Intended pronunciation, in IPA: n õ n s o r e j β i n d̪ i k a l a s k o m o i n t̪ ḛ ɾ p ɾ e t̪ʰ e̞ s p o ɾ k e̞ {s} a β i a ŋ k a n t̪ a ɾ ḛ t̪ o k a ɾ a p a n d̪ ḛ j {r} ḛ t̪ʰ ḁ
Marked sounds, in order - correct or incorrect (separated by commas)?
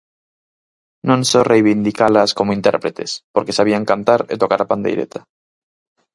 correct, incorrect